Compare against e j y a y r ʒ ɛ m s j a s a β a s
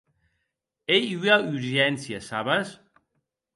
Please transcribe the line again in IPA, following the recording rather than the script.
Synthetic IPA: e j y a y ɾ ʒ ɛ n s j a s a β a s

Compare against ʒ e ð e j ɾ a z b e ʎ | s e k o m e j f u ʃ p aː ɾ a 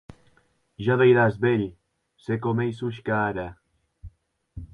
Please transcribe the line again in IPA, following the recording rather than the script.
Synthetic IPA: ʒ a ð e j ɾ a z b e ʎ | s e k o m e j s u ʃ k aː ɾ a

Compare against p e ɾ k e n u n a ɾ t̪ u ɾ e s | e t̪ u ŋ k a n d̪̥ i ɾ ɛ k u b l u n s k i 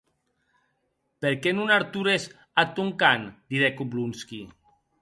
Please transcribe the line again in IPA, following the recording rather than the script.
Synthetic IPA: p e ɾ k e n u n a ɾ t̪ u ɾ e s | a t̪ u ŋ k a n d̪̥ i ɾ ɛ k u b l u n s k i

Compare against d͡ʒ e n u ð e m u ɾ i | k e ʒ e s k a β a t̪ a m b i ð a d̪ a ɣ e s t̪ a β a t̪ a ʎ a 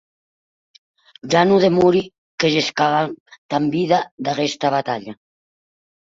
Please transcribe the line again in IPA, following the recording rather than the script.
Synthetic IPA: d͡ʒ a n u ð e m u ɾ i | k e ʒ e s k a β a t̪ a m b i ð a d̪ a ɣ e s t̪ a β a t̪ a ʎ a

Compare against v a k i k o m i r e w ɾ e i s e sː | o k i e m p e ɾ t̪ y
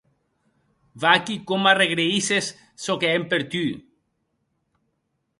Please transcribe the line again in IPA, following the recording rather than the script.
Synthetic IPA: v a k i k o m a r e ɣ ɾ e i s e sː | o k e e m p e ɾ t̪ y

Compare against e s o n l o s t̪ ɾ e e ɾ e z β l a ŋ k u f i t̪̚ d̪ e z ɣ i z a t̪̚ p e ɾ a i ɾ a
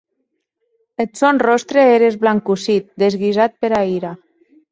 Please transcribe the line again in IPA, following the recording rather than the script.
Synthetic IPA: e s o n r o s t̪ ɾ e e ɾ e z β l a ŋ k u s i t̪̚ d̪ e z ɣ i z a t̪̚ p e ɾ a i ɾ a

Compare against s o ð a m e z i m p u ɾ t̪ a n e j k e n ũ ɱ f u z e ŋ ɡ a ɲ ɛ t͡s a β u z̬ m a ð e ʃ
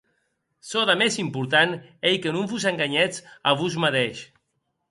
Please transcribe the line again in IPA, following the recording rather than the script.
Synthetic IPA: s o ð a m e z i m p u ɾ t̪ a n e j k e n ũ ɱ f u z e ŋ ɡ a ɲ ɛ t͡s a β u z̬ m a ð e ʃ

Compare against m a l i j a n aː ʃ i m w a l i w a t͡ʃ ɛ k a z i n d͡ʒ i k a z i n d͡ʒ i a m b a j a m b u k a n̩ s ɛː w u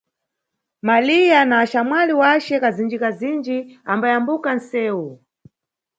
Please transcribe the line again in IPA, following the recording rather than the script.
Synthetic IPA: m a l i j a n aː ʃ a m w a l i w a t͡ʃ ɛ k a z i n d͡ʒ i k a z i n d͡ʒ i a m b a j a m b u k a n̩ s ɛː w u

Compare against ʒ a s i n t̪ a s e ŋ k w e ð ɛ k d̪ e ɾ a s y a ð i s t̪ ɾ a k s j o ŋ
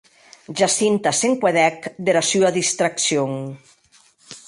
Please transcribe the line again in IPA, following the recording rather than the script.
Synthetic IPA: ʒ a s i n t̪ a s e ŋ k w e ð ɛ k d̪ e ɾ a s y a ð i s t̪ ɾ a k s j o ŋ

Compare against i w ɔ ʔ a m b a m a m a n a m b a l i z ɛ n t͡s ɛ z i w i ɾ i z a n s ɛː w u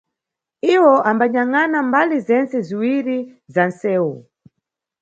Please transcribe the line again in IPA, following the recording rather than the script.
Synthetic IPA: i w ɔ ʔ a m b a ɲ a ŋ a n a m b a l i z ɛ n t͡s ɛ z i w i ɾ i z a n s ɛː w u

